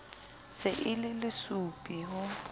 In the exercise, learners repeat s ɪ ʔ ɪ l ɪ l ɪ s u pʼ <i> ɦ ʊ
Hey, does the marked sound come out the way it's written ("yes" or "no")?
yes